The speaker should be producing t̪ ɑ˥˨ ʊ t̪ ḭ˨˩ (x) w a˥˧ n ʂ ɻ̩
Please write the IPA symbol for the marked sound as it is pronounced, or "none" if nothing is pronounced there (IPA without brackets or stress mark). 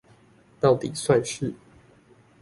s